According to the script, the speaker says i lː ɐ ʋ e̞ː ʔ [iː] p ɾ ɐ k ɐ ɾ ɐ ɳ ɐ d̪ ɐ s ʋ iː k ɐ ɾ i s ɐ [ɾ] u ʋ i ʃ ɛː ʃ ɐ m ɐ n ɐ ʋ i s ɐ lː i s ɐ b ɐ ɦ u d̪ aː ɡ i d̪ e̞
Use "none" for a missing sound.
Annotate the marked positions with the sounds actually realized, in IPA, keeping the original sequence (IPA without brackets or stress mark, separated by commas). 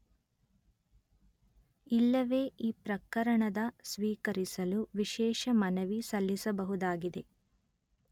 iː, l